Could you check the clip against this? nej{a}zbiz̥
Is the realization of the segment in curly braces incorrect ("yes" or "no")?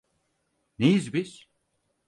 yes